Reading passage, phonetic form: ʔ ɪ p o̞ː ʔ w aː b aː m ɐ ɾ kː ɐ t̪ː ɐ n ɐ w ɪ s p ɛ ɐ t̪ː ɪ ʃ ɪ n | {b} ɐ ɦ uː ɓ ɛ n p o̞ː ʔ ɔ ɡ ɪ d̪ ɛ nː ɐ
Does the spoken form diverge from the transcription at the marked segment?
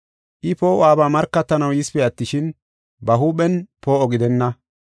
no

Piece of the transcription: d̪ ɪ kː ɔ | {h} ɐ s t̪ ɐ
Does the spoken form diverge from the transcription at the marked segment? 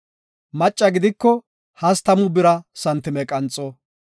no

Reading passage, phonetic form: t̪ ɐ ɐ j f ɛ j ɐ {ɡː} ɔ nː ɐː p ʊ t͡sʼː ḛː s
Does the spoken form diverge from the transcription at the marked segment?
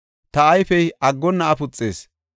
no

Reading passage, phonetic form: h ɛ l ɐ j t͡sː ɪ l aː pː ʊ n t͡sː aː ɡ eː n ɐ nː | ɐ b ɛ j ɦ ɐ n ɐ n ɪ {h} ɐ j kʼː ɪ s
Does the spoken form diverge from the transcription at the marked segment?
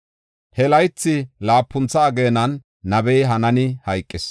no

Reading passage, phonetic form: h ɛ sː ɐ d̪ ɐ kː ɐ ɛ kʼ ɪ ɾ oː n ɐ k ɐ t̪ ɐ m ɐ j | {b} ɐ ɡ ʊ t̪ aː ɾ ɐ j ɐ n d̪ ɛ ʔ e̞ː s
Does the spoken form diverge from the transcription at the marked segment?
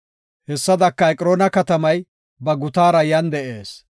no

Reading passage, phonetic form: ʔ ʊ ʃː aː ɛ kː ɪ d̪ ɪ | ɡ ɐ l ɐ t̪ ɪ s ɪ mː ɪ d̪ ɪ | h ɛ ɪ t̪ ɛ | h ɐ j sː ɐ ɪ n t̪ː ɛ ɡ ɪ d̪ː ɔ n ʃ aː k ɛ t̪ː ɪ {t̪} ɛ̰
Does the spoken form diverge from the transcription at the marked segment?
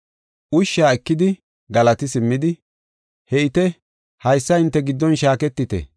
no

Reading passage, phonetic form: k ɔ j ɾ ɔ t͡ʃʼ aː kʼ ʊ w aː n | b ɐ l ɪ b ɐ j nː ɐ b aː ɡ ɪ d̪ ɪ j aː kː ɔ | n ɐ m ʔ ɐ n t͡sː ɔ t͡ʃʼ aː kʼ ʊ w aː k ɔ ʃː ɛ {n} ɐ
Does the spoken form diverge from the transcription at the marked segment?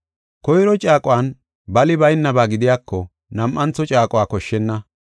yes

